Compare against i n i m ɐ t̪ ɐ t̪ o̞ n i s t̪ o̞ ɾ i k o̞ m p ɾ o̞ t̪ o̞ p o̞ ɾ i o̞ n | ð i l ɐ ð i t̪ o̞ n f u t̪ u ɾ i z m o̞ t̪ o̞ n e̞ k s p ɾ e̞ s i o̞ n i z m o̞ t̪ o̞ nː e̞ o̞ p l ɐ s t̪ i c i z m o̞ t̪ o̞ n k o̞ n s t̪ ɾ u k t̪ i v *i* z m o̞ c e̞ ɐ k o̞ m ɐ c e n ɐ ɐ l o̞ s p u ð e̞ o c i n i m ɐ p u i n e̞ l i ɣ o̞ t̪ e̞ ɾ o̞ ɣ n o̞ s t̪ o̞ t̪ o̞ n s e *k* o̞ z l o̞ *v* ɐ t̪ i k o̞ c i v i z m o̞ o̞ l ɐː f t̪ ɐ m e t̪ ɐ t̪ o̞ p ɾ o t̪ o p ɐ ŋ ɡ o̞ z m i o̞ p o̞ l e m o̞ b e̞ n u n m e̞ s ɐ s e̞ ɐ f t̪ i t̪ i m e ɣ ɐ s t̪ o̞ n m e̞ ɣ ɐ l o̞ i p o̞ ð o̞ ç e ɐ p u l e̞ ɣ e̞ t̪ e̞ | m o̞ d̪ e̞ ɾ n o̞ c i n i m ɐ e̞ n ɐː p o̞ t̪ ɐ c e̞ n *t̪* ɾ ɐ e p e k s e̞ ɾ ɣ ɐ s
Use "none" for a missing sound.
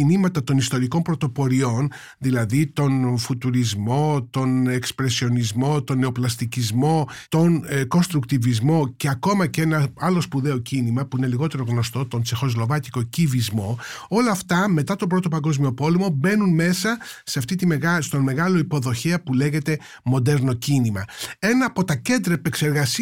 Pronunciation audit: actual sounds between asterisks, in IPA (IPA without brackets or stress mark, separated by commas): i, x, v, d̪